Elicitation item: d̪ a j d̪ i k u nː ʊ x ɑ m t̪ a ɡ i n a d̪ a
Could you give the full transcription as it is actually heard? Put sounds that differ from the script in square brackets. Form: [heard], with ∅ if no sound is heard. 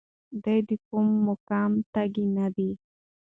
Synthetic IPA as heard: d̪ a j d̪ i k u [mː] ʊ [k] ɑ m t̪ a ɡ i n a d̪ [i]